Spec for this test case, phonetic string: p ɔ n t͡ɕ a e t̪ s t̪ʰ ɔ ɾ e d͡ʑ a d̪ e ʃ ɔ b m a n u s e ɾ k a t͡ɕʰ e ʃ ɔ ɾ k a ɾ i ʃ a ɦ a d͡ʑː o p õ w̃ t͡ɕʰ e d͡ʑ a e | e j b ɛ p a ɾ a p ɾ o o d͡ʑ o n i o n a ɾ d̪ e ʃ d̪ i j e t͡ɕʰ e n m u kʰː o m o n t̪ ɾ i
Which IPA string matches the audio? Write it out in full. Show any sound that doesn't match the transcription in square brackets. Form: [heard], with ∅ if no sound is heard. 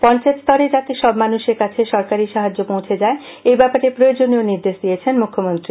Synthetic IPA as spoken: p ɔ n t͡ɕ a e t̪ s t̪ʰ ɔ ɾ e d͡ʑ a [t̪] e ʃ ɔ b m a n u [ʃ] e ɾ k a t͡ɕʰ e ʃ ɔ ɾ k a ɾ i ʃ a ɦ a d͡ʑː o p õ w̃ t͡ɕʰ e d͡ʑ a e | e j b ɛ p a ɾ [e] p ɾ o o d͡ʑ o n i o n [i] ɾ d̪ e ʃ d̪ i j e t͡ɕʰ e n m u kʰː o m o n t̪ ɾ i